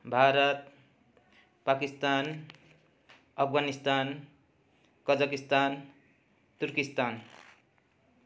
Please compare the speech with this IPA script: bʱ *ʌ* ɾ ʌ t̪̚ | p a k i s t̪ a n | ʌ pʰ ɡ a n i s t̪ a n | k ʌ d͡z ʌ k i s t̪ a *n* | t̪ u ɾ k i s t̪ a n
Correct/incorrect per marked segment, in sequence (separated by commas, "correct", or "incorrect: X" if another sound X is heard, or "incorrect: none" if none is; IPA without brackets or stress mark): incorrect: a, correct